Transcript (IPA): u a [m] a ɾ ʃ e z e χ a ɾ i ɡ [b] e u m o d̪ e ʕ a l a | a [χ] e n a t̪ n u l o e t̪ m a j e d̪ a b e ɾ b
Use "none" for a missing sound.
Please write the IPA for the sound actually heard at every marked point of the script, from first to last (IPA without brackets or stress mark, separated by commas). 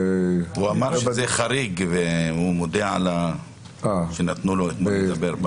m, v, ʃ